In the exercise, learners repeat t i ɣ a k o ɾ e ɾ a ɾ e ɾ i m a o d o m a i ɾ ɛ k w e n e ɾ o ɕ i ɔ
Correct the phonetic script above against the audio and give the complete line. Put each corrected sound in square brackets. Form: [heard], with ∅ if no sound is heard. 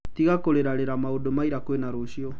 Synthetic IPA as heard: t i ɣ a k o ɾ e ɾ a ɾ e ɾ [a] m a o d o m a i ɾ [a] k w e n [a] ɾ o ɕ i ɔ